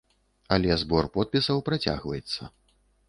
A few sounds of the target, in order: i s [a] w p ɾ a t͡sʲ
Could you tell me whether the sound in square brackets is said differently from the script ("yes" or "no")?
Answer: yes